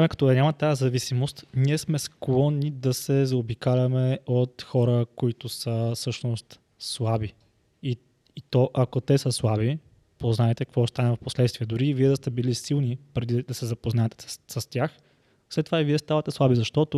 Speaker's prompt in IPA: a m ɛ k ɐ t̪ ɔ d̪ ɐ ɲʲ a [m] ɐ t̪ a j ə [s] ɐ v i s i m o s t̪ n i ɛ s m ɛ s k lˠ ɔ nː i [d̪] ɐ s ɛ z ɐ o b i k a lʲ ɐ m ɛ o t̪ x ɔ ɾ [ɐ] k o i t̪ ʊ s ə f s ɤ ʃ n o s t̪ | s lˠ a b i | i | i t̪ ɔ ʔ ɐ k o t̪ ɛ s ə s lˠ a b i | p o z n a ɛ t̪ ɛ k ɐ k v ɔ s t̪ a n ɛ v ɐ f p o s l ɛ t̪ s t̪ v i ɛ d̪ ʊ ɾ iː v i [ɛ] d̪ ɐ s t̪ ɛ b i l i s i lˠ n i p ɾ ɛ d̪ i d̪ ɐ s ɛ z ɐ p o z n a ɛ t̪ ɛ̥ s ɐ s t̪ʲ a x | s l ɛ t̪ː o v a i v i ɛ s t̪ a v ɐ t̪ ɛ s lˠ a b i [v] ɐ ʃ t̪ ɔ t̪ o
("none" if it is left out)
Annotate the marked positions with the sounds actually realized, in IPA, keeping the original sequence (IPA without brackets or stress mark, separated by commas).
m, z, d̪, ə, ɛ, z